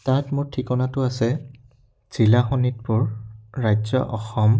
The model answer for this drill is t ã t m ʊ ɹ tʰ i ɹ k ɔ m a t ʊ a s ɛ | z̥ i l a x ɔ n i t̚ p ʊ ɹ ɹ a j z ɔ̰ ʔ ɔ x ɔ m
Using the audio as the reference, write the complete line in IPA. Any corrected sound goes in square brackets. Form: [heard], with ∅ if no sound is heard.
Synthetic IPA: t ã t m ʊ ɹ tʰ i [∅] k ɔ [n] a t ʊ a s ɛ | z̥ i l a x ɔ n i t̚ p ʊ ɹ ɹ a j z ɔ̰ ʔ ɔ x ɔ m